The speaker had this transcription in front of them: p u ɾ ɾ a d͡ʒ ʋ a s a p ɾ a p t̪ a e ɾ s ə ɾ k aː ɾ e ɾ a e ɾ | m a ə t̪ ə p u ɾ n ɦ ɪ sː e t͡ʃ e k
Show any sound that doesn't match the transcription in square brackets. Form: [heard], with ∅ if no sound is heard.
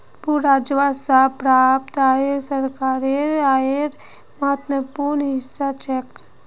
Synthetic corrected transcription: p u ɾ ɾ a d͡ʒ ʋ a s a p ɾ a p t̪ a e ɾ s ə ɾ k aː ɾ e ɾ a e ɾ | m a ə t̪ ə p u ɾ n ɦ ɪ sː [a] t͡ʃ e k